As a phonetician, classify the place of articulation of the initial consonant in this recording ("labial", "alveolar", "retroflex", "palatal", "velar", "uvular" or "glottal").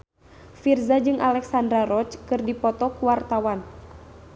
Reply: labial